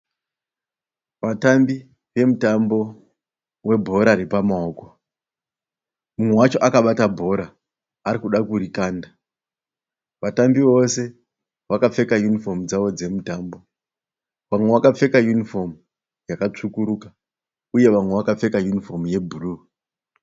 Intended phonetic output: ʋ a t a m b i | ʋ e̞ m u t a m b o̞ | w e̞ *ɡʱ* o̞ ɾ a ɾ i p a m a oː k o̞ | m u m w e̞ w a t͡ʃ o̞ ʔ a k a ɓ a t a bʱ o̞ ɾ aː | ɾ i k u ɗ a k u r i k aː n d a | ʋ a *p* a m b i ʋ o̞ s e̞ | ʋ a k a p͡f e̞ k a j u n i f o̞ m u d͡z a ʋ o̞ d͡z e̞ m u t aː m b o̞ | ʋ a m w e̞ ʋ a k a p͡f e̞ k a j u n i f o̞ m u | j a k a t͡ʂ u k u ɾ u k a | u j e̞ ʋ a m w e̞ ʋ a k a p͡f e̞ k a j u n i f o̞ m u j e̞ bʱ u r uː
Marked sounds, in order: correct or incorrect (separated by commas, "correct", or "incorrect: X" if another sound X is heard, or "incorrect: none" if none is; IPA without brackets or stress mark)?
incorrect: bʱ, incorrect: t